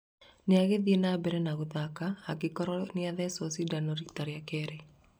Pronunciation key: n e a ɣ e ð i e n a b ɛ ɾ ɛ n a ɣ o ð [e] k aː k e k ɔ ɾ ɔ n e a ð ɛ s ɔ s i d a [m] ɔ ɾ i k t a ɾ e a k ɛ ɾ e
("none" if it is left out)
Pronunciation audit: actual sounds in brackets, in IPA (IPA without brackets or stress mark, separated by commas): a, n